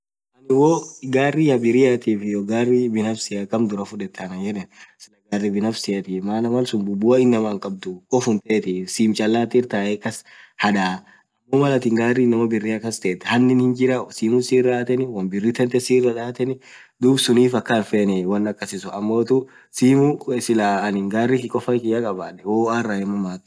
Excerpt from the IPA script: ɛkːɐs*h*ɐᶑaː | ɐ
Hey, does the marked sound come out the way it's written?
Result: yes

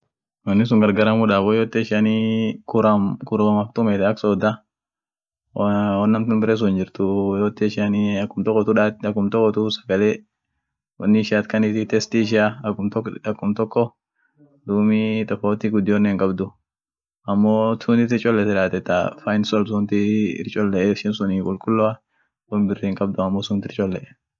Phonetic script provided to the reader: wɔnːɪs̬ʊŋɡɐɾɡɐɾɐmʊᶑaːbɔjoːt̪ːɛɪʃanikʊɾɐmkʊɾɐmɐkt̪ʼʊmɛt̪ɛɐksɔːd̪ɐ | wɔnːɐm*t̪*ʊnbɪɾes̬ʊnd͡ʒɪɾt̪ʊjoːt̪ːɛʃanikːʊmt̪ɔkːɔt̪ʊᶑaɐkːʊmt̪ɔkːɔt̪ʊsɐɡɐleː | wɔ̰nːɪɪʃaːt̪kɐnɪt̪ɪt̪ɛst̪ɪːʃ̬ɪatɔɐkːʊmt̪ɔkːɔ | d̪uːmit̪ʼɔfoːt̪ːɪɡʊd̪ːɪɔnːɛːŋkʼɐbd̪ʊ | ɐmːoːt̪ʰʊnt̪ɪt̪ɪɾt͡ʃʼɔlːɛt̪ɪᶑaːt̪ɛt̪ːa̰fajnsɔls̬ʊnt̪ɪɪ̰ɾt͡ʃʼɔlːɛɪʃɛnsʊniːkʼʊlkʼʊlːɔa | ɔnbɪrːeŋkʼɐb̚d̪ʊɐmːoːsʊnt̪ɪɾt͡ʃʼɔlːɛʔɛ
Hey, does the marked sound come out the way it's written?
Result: yes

